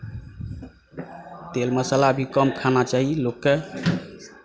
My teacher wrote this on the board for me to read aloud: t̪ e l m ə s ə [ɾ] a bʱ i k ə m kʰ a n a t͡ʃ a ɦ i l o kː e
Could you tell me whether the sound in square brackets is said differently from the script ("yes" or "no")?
yes